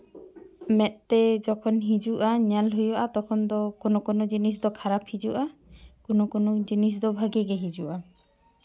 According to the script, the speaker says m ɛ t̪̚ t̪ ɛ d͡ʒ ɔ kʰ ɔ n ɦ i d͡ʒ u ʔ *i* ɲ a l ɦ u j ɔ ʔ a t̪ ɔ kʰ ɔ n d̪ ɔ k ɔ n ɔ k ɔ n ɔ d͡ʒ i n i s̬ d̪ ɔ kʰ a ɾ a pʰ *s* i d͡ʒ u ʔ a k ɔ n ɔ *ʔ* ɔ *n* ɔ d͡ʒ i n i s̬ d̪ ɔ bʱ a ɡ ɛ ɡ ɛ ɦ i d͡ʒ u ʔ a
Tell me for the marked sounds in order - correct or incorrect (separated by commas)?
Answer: incorrect, incorrect, incorrect, correct